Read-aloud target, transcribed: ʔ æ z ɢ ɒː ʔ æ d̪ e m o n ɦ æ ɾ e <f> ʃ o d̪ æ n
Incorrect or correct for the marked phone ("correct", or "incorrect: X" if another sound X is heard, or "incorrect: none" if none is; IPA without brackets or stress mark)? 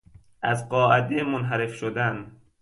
correct